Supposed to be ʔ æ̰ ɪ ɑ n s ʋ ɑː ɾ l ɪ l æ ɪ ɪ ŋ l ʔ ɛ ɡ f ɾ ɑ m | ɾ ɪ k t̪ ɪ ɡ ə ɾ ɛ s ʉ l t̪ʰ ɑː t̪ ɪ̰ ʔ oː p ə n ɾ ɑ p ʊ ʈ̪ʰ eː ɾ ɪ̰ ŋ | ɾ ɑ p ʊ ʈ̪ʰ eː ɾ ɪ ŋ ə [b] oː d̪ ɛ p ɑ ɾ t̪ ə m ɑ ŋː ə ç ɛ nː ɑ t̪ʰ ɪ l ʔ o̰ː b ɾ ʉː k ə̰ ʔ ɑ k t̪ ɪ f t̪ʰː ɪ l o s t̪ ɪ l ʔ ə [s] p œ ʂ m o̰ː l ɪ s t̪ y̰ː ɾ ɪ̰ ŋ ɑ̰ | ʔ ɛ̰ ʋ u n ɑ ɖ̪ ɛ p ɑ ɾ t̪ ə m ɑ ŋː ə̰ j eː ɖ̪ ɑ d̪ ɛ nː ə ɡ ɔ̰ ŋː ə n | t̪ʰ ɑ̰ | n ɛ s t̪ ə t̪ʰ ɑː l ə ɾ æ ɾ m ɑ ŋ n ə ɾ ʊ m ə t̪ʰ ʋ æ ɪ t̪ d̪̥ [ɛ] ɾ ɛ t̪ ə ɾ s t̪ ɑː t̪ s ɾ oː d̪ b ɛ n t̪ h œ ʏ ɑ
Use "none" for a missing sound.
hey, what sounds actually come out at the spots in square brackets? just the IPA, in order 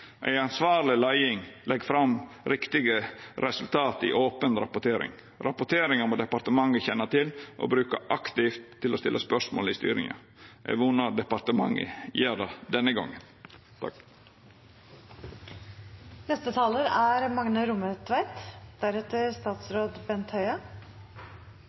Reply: m, s, æ

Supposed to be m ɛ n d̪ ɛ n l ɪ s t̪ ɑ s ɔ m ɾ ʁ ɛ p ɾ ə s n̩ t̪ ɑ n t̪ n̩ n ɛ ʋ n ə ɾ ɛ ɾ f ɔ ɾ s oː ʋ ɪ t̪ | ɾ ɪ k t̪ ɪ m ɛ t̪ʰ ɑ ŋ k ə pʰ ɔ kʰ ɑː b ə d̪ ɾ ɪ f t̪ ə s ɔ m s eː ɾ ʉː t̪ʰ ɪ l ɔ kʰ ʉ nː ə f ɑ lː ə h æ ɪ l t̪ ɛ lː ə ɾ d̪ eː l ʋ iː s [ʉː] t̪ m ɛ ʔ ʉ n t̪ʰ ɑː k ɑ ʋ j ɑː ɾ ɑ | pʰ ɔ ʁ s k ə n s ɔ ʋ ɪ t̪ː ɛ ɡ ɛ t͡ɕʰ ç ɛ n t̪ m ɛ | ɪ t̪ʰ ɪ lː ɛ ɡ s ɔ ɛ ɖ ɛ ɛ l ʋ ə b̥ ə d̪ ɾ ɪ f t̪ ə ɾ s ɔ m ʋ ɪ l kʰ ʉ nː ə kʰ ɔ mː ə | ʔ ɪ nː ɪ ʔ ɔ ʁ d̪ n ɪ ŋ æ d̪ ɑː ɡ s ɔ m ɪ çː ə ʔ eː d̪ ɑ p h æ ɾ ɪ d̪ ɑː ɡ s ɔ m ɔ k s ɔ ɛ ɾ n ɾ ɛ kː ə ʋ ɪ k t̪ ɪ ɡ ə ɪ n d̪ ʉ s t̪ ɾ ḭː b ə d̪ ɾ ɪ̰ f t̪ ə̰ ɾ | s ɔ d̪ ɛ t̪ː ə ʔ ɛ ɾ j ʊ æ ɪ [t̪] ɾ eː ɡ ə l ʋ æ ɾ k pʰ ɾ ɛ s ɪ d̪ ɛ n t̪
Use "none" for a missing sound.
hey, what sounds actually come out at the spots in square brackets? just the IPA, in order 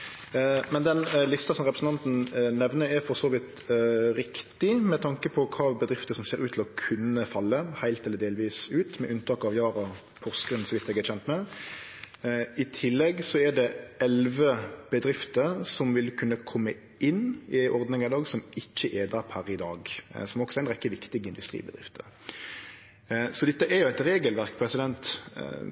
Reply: ʉː, t̪

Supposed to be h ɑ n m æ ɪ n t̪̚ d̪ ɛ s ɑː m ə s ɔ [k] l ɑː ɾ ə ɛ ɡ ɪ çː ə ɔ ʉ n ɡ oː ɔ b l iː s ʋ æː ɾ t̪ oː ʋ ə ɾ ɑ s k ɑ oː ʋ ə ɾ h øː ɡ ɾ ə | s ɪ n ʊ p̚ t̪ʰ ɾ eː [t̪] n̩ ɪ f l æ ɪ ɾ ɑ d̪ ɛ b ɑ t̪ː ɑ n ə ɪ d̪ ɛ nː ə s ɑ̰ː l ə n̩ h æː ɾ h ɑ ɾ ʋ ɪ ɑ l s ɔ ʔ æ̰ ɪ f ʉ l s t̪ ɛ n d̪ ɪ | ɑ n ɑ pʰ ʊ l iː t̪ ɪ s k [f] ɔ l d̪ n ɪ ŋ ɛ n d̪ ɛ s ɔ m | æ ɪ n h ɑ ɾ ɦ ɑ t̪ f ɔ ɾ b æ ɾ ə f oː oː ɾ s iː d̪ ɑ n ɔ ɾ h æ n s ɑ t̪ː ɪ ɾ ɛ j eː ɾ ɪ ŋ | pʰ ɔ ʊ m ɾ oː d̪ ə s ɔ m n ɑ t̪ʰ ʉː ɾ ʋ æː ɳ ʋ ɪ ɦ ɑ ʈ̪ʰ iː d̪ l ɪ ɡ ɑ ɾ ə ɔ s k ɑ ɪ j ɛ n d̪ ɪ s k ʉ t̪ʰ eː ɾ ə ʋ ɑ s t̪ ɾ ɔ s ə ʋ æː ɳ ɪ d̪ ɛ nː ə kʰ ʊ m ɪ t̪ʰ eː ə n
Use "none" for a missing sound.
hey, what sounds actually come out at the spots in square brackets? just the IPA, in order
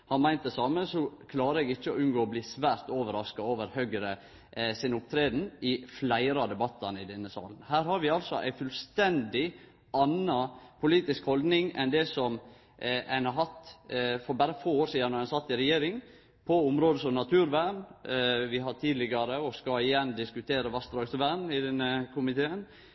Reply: kʰ, d̪, h

